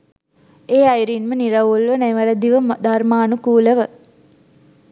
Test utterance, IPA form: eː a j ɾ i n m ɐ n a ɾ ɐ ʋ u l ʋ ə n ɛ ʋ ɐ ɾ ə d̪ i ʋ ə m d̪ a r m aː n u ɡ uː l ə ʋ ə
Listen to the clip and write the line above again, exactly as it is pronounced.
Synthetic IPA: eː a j ɾ i n m ə n i ɾ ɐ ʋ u l ʋ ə n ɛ ʋ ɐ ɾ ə d̪ i ʋ ə m d̪ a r m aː n u k uː l ə ʋ ə

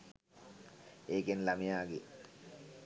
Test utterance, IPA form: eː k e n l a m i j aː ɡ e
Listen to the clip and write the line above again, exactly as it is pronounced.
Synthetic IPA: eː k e n l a m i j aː ɡ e

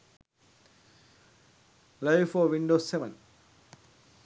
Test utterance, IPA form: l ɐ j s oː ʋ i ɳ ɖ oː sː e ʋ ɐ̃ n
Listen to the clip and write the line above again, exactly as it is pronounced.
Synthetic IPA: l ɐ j f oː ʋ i ɳ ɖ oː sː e ʋ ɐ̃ n

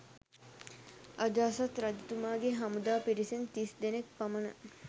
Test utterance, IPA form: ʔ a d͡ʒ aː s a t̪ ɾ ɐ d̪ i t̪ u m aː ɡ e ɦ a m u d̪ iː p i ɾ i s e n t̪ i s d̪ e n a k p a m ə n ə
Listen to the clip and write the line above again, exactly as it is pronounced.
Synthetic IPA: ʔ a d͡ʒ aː s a t̪ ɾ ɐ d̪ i t̪ u m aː ɡ e ɦ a m u d̪ aː p i ɾ i s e n t̪ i s d̪ e n e k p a m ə n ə

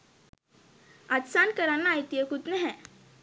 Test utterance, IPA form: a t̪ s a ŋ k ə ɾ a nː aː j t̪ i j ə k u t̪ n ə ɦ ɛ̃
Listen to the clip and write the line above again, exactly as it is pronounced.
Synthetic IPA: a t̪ s a n k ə ɾ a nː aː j t̪ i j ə k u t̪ n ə ɦ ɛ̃

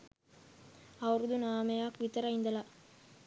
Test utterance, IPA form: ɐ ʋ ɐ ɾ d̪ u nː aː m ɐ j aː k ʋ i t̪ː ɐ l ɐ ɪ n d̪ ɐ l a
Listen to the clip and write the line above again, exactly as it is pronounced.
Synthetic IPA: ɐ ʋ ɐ ɾ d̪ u n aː m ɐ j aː k ʋ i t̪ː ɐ ɾ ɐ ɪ n d̪ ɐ l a

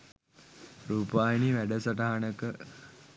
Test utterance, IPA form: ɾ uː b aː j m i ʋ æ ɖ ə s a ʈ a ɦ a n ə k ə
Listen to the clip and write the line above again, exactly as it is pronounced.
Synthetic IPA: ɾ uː p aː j n i ʋ æ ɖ ə s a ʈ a ɦ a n ə k ə

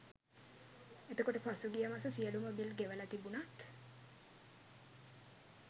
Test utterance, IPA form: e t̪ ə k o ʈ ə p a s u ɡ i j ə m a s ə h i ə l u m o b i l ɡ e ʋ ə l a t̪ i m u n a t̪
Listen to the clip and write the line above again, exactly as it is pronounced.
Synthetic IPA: e t̪ ə k o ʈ ə p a s u ɡ i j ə m a s ə s i ə l u m o b i l ɡ e ʋ ə l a t̪ i b u n a t̪

